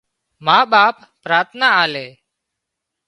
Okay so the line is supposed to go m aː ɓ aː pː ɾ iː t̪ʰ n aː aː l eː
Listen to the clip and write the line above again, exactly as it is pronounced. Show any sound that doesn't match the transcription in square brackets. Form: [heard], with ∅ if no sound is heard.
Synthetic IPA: m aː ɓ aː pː ɾ [aː] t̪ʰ n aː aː l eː